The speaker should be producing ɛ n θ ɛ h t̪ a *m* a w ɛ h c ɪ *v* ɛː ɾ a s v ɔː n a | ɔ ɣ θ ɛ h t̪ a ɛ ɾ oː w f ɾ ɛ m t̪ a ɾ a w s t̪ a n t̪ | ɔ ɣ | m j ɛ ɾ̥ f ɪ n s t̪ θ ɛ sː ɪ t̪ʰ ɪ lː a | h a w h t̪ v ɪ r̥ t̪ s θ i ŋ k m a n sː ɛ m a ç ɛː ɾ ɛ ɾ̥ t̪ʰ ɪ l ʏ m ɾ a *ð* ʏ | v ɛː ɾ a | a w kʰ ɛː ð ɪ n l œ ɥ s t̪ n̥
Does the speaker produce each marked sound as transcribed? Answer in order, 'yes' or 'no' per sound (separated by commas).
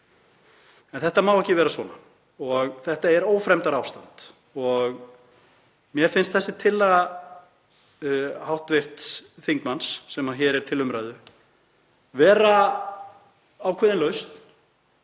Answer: yes, yes, yes